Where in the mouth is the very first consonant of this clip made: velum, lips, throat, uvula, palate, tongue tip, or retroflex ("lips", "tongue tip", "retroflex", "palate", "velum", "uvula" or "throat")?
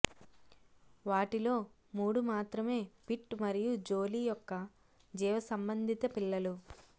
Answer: lips